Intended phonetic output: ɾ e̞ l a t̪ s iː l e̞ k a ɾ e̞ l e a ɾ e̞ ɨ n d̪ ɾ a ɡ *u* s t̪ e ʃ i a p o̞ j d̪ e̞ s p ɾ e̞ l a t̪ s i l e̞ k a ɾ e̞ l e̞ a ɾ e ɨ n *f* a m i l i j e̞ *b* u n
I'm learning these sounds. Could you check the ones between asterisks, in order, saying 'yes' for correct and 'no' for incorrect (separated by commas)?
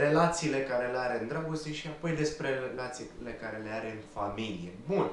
no, yes, yes